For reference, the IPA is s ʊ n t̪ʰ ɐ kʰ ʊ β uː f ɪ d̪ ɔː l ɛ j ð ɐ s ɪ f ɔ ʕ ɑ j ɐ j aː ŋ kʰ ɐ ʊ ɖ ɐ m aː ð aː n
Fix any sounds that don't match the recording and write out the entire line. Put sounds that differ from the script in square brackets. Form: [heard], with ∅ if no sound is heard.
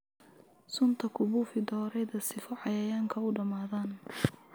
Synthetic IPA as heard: s ʊ n t̪ʰ ɐ kʰ ʊ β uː f ɪ d̪ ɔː [ɾ] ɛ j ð ɐ s ɪ f ɔ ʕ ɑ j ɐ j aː ŋ kʰ ɐ ʊ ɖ ɐ m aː ð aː n